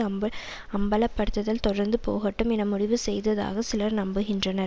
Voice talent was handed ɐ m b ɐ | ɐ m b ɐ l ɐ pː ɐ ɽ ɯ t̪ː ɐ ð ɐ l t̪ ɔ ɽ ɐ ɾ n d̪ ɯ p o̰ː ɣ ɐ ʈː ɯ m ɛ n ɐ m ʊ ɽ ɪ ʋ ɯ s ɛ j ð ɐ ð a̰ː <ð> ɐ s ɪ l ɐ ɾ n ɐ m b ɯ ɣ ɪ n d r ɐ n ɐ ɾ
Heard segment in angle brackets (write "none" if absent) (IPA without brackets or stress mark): ɣ